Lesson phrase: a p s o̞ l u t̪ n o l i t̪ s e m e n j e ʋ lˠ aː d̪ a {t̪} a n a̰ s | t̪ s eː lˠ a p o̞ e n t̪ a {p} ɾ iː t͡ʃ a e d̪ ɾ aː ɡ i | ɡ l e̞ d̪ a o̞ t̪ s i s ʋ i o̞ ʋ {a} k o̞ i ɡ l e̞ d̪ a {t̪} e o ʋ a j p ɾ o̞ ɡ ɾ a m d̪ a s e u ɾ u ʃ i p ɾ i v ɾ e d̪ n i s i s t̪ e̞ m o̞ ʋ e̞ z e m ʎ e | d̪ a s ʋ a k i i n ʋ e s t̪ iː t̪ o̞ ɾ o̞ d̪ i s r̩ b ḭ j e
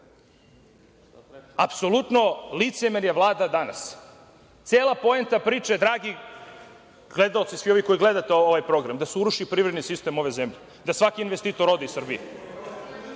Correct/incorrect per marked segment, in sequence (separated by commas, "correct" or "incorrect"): incorrect, correct, incorrect, correct